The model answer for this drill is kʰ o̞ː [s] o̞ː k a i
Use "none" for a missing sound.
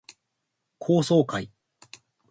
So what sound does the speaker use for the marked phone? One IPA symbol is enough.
s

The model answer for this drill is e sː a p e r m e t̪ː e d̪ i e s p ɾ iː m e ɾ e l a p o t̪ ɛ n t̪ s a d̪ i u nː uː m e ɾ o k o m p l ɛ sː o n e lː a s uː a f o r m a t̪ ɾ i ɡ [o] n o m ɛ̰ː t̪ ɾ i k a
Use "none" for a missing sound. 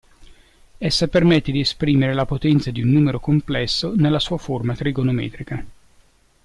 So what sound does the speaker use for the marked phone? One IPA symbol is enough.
o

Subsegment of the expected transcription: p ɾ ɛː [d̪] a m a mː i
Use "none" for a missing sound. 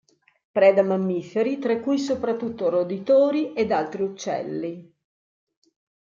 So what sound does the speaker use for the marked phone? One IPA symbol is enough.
d̪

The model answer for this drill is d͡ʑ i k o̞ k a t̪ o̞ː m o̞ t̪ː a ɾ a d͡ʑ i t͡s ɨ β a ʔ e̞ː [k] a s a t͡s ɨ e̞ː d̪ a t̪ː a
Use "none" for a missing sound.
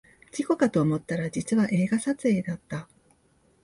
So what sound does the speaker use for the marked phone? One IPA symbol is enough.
ɡ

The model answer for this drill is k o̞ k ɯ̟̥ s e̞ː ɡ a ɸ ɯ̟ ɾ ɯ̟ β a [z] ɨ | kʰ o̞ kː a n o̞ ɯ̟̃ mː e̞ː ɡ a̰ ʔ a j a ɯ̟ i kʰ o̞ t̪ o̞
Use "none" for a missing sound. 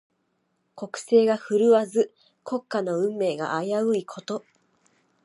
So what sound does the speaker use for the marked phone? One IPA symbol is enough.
z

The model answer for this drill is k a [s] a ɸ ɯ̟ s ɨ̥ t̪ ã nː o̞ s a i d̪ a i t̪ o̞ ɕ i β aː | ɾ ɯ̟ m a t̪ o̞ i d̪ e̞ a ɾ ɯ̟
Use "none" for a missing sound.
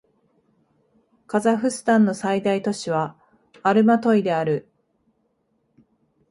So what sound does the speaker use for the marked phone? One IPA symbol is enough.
z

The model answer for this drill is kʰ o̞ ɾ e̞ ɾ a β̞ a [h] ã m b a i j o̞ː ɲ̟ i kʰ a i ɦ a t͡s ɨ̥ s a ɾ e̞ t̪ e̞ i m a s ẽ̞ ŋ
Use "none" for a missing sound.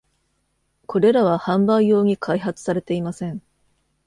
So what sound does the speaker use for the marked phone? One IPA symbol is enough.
h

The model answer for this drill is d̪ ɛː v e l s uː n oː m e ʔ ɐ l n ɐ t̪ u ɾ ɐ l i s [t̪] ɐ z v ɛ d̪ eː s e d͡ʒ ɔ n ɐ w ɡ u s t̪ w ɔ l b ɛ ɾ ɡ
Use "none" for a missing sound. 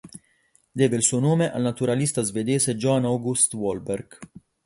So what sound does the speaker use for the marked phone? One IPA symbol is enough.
t̪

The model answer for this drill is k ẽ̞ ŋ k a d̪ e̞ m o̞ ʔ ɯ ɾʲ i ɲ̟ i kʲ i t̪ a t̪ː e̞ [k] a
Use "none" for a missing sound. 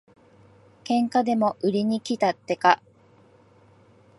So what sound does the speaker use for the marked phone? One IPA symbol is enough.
k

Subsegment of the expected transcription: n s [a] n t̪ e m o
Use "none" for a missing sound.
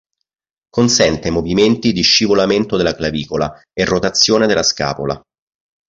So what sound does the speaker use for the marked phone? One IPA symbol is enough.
ɛ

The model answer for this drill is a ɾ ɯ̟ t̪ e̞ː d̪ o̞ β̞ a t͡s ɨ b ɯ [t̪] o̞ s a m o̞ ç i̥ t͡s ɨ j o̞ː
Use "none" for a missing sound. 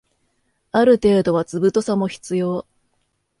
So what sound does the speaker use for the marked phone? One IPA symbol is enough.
t̪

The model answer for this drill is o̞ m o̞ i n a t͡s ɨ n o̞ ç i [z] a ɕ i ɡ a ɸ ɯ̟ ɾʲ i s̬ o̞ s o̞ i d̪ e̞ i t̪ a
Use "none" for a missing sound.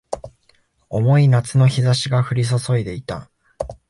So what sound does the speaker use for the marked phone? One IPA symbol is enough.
z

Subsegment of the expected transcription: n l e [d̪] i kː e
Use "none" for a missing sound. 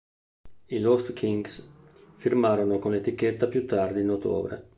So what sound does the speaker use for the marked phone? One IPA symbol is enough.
t̪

